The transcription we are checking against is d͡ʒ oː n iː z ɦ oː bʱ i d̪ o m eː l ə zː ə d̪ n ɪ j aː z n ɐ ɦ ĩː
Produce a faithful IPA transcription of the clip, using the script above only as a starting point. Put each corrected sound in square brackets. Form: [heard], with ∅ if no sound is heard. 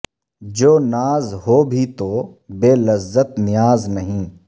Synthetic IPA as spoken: d͡ʒ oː n [aː] z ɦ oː bʱ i [t̪] o [b] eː l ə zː ə [t̪] n ɪ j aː z n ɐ ɦ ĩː